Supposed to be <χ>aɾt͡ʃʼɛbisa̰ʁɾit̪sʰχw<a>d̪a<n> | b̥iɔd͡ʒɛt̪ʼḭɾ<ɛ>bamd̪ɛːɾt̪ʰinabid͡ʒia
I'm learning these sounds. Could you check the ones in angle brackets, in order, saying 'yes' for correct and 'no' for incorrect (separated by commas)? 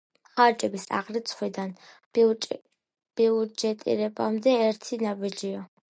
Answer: yes, no, yes, yes